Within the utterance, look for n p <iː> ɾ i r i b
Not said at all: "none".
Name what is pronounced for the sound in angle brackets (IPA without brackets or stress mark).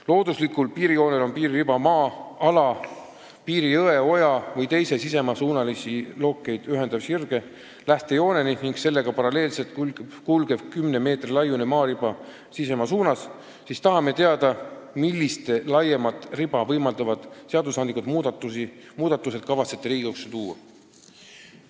iː